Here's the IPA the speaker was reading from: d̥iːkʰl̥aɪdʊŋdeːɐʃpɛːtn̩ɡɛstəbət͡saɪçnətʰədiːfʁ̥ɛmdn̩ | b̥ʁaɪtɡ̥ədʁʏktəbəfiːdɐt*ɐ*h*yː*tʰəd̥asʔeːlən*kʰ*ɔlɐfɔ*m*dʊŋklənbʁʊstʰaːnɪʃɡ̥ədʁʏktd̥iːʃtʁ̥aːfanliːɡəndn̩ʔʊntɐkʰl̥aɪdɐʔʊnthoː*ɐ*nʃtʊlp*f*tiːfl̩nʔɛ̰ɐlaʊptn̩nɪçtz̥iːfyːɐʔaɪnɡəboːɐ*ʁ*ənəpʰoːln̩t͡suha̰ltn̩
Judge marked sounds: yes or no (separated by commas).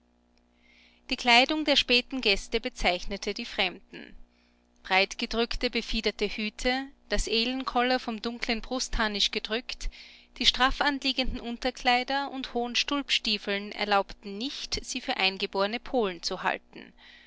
no, yes, yes, yes, no, no, yes